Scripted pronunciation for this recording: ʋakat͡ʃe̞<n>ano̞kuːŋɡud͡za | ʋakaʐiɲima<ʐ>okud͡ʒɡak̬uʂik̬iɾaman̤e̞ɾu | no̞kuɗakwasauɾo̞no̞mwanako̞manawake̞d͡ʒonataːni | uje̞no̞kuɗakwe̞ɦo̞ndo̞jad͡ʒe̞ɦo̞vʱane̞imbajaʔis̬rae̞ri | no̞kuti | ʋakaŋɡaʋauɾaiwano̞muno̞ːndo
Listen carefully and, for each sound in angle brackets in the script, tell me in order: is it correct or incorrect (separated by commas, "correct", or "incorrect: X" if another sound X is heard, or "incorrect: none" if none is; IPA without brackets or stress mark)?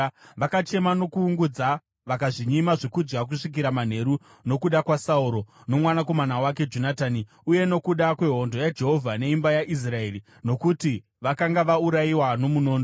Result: incorrect: m, correct